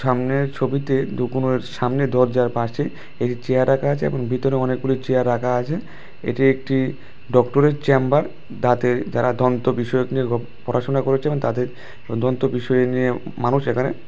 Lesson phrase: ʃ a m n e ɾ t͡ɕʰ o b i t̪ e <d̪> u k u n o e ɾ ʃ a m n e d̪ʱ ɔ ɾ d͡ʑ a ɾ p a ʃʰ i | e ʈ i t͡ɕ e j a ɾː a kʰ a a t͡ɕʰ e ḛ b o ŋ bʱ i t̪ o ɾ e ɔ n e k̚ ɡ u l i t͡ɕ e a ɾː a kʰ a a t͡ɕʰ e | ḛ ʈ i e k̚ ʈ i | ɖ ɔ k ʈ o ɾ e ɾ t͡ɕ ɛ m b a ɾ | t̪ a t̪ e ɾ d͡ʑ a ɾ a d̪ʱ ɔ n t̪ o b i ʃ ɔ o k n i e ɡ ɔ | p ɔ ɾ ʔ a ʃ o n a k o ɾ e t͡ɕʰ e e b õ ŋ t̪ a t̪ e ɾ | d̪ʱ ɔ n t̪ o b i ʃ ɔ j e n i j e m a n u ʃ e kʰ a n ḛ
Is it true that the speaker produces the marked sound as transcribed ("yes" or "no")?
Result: yes